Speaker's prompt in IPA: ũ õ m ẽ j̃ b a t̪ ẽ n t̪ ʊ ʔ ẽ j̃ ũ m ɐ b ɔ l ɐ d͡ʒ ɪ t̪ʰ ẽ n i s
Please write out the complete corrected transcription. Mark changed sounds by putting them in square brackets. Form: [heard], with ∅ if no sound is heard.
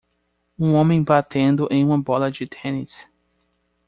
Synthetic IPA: ũ õ m ẽ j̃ b a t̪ ẽ n [d̪] ʊ ʔ ẽ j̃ ũ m ɐ b ɔ l ɐ d͡ʒ ɪ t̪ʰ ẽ n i s

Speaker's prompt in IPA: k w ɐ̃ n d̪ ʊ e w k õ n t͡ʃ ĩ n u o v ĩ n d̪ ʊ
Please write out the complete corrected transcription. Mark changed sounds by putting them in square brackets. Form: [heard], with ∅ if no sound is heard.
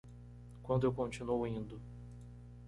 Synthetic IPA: k w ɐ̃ n d̪ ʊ e w k õ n t͡ʃ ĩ n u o [w] ĩ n d̪ ʊ

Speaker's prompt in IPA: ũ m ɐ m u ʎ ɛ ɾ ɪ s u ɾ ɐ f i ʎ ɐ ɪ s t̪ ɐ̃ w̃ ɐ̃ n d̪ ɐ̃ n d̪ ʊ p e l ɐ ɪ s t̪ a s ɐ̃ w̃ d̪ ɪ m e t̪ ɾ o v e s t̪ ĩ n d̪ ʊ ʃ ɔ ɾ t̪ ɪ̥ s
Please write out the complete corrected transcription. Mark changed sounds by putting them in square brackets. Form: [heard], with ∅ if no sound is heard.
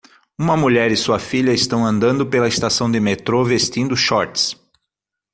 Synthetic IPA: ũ m ɐ m u ʎ ɛ ɾ ɪ s u [∅] ɐ f i ʎ ɐ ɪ s t̪ ɐ̃ w̃ ɐ̃ n d̪ ɐ̃ n d̪ ʊ p e l ɐ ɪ s t̪ a s ɐ̃ w̃ d̪ ɪ m e t̪ ɾ o v e s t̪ ĩ n d̪ ʊ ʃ ɔ ɾ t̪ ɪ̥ s

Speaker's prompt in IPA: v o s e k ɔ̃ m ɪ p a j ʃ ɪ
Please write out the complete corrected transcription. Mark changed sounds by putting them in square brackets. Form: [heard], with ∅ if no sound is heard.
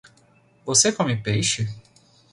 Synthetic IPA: v o s e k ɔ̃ m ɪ p [e] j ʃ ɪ

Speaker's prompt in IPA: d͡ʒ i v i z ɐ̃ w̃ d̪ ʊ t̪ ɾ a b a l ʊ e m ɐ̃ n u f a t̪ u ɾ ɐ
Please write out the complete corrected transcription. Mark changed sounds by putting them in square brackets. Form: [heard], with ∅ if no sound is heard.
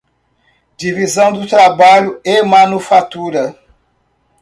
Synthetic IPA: d͡ʒ i v i z ɐ̃ w̃ d̪ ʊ t̪ ɾ a b a [ʎ] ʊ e m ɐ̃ n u f a t̪ u ɾ ɐ

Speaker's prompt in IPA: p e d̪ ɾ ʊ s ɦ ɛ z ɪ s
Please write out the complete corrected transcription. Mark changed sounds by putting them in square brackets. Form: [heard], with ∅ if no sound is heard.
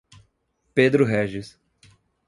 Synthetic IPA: p e d̪ ɾ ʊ [∅] ɦ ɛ [ʒ] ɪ s

